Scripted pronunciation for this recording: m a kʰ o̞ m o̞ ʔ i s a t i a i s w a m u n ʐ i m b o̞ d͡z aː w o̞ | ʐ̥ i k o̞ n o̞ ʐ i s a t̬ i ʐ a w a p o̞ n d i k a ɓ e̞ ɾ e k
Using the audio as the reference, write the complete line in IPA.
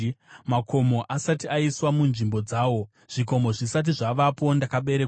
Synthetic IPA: m a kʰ o̞ m o̞ ʔ a s a t i a i s w a m u n ʐ i m b o̞ d͡z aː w o̞ | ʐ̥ i k o̞ m o̞ ʐ i s a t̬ i ʐ a ʋ a p o̞ n d a k a ɓ e̞ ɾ e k